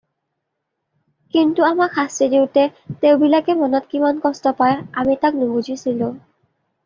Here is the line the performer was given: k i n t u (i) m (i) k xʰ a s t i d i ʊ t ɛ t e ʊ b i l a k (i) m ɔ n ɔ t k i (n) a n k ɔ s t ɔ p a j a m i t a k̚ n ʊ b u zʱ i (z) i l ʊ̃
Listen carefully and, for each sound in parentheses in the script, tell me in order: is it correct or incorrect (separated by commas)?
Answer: incorrect, incorrect, incorrect, incorrect, incorrect